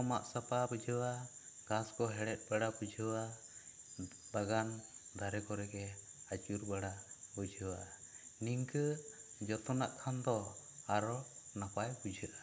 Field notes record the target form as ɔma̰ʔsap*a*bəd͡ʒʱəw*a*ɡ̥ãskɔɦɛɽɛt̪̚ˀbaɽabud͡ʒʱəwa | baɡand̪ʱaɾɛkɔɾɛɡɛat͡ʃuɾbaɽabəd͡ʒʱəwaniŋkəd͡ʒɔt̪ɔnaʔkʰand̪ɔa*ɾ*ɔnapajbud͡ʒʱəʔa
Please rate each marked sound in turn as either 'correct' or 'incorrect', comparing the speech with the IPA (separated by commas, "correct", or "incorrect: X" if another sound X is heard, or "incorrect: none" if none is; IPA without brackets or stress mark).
correct, correct, correct